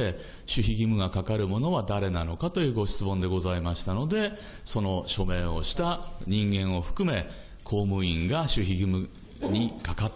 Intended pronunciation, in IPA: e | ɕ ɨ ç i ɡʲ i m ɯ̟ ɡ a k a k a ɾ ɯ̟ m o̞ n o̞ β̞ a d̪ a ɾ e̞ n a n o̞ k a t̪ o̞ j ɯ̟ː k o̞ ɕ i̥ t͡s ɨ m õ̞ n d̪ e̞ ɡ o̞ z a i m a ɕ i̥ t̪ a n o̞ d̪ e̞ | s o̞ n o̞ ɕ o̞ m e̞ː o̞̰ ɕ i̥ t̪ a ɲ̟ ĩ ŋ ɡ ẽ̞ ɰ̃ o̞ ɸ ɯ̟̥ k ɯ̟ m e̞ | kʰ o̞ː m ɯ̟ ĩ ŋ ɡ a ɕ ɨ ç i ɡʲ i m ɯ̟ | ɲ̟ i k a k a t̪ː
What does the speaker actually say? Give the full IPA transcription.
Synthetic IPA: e | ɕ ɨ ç i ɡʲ i m ɯ̟ ɡ a k a k a ɾ ɯ̟ m o̞ n o̞ β̞ a d̪ a ɾ e̞ n a n o̞ k a t̪ o̞ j ɯ̟ː ɡ o̞ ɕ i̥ t͡s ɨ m õ̞ n d̪ e̞ ɡ o̞ z a i m a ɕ i̥ t̪ a n o̞ d̪ e̞ | s o̞ n o̞ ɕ o̞ m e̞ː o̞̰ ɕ i̥ t̪ a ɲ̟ ĩ ŋ ɡ ẽ̞ ɰ̃ o̞ ɸ ɯ̟̥ k ɯ̟ m e̞ | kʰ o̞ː m ɯ̟ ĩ ŋ ɡ a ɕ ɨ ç i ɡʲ i m ɯ̟ | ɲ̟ i k a k a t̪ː